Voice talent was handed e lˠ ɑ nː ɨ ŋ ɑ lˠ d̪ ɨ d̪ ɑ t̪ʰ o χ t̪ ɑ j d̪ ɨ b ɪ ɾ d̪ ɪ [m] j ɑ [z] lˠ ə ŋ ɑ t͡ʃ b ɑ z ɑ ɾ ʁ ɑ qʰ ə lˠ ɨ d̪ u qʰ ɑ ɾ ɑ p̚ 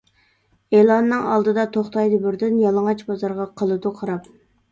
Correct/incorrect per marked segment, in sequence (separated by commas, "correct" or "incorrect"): incorrect, incorrect